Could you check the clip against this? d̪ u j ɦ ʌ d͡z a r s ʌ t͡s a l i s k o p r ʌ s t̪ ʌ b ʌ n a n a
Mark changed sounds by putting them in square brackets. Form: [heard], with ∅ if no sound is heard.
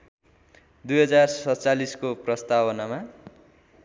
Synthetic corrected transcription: d̪ u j ɦ ʌ d͡z a r s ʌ t͡s a l i s k o p r ʌ s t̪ [a] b ʌ n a [m] a

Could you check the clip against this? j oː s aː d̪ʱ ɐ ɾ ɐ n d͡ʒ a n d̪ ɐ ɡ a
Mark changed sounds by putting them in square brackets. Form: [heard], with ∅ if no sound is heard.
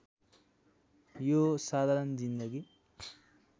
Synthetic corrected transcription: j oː s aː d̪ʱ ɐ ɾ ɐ n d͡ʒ [i] n d̪ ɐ ɡ [i]

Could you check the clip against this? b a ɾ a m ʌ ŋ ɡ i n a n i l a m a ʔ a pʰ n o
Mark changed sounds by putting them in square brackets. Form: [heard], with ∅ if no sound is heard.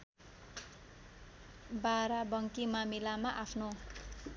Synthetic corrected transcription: b a ɾ a [b] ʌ ŋ [k] i [m] a [m] i l a m a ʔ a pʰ n o

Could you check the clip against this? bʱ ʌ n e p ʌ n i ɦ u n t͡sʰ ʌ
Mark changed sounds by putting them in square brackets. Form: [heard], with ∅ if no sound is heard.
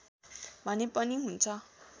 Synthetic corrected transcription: bʱ ʌ n e p ʌ n i ɦ u n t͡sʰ ʌ

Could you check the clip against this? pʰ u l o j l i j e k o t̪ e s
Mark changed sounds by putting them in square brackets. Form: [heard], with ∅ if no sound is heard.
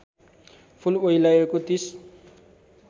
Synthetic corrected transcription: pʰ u l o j l [a] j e k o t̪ [i] s

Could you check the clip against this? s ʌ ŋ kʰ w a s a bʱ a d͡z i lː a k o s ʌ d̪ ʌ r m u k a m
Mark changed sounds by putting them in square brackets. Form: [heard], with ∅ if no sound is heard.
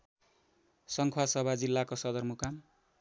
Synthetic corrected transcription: s ʌ ŋ kʰ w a s [ʌ] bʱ a d͡z i lː a k o s ʌ d̪ ʌ r m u k a m

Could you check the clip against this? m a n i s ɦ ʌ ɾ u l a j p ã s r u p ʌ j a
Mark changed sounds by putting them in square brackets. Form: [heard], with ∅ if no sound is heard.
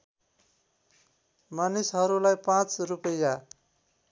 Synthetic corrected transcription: m a n i s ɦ ʌ ɾ u l a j p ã [t͡s] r u p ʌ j a

